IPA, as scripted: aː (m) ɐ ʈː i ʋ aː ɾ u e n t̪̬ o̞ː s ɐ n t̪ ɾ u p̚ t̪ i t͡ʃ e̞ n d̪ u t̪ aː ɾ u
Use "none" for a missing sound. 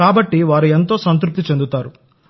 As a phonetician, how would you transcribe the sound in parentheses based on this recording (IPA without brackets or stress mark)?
b